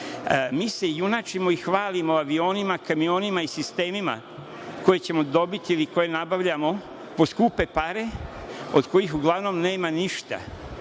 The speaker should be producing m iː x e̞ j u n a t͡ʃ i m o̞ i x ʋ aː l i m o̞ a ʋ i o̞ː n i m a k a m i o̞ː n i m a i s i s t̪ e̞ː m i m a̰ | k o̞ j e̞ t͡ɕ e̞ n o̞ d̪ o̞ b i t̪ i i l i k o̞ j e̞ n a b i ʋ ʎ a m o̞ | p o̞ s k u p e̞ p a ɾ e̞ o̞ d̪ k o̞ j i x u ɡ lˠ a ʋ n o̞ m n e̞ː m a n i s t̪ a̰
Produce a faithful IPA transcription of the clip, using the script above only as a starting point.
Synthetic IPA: m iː s e̞ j u n a t͡ʃ i m o̞ i x ʋ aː l i m o̞ a ʋ i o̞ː n i m a k a m i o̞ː n i m a i s i s t̪ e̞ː m i m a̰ | k o̞ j e̞ t͡ɕ e̞ m o̞ d̪ o̞ b i t̪ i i l i k o̞ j e̞ n a b a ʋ ʎ a m o̞ | p o̞ s k u p e̞ p a ɾ e̞ o̞ d̪ k o̞ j i x u ɡ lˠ a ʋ n o̞ m n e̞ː m a n i ʃ t̪ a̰